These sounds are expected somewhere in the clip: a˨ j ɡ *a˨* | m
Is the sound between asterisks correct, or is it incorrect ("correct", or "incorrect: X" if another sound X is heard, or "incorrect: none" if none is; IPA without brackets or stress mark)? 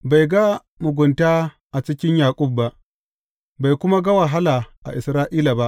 incorrect: a˦